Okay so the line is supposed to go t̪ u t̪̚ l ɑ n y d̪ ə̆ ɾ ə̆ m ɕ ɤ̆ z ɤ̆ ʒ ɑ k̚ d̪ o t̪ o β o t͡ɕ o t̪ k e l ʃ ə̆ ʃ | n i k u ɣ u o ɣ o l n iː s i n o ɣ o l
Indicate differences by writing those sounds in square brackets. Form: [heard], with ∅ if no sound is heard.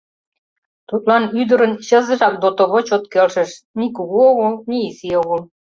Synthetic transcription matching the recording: t̪ u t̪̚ l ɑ n y d̪ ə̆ ɾ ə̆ [n] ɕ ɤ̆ z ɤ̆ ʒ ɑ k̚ d̪ o t̪ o β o t͡ɕ o t̪ k e l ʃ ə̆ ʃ | n i k u ɣ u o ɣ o l n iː s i [∅] o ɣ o l

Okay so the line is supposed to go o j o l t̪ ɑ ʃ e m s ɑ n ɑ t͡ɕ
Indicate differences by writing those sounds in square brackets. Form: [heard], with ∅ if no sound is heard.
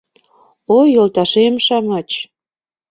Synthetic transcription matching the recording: o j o l t̪ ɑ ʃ e m [ʃ] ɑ [m] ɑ t͡ɕ

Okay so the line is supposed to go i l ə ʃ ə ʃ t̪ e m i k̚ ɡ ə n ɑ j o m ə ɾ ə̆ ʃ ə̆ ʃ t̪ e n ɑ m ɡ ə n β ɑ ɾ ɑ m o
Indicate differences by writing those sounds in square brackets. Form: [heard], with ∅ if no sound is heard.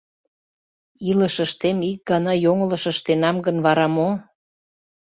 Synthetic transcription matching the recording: i l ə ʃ ə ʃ t̪ e m i k̚ ɡ [ɑ] n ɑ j o [ŋ] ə [l] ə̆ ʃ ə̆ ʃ t̪ e n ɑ m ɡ ə n β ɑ ɾ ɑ m o

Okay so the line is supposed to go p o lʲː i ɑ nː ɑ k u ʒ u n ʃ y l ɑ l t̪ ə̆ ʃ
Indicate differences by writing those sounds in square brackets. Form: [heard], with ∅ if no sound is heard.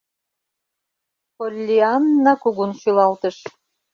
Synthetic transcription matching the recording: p o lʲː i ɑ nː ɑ k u [ɣ] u n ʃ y l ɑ l t̪ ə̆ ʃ

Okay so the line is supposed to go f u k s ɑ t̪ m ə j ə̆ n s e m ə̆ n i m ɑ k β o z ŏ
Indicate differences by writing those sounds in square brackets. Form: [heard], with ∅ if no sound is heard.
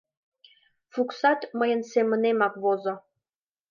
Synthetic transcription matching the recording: f u k s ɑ t̪ m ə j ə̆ n s e m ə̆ n [e] m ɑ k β o z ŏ

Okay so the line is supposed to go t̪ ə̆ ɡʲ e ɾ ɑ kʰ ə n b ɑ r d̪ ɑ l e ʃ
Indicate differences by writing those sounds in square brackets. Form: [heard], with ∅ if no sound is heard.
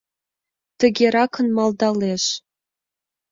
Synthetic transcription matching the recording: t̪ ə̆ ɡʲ e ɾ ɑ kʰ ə n [m] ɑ [l] d̪ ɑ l e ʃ

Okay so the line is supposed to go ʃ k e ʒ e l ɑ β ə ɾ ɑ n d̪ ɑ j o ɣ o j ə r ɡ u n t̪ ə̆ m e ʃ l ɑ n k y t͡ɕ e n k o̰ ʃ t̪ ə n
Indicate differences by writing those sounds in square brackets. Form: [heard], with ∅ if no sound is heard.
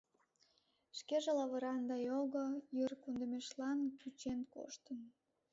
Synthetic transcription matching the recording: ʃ k e ʒ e l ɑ β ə ɾ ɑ n d̪ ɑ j o ɣ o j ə r [k] u n [d̪] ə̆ m e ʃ l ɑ n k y t͡ɕ e n k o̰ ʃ t̪ ə n

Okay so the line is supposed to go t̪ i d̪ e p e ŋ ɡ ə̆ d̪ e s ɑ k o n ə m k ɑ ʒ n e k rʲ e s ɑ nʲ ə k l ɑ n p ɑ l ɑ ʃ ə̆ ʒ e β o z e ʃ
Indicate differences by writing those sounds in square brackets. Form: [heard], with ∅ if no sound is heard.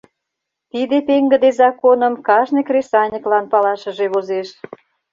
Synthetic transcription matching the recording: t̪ i d̪ e p e ŋ ɡ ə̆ d̪ e [z] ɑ k o n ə m k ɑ ʒ n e k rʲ e s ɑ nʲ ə k l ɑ n p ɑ l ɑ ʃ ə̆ ʒ e β o z e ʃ

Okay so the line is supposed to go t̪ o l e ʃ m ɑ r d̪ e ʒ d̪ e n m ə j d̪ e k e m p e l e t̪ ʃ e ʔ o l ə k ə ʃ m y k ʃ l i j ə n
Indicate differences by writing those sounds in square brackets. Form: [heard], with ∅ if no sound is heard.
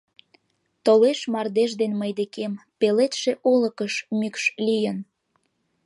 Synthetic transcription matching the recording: t̪ o l e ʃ m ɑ r d̪ e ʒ d̪ e n m ə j d̪ e k e m p e l e t̪ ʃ e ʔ o l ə k ə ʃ m y k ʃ l i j ə n

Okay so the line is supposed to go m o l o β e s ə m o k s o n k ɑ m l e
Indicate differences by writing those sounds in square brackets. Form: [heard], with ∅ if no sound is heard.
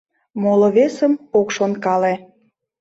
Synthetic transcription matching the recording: m o l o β e s ə m o k [ʃ] o n k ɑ [∅] l e

